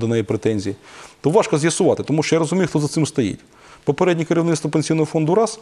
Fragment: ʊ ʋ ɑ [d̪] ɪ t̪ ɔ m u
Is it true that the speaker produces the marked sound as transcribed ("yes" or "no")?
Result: no